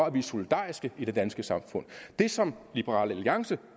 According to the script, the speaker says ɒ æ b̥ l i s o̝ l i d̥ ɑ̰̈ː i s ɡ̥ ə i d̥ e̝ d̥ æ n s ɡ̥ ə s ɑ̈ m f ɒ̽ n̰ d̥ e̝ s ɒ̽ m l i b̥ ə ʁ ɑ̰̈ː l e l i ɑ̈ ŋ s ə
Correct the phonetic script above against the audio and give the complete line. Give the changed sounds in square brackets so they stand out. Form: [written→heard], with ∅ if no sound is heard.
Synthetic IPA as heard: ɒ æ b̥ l i s o̝ l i d̥ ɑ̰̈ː i s ɡ̥ ə i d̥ e̝ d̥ æ n s ɡ̥ ə s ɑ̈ m f [ɒ̽→ɔ̽] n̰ d̥ e̝ s ɒ̽ m l i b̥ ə ʁ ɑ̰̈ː l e l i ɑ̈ ŋ s ə